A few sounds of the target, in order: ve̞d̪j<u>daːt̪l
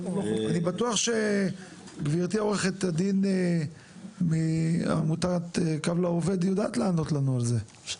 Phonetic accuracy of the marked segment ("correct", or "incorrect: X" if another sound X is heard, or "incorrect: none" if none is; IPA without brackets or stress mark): incorrect: o